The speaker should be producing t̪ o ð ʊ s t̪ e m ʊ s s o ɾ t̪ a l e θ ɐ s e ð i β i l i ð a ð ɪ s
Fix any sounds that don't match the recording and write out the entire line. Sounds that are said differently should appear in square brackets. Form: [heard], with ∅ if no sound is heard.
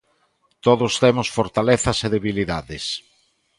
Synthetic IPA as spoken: t̪ o ð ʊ s t̪ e m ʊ s [f] o ɾ t̪ a l e θ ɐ s e ð [e] β i l i ð a ð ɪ s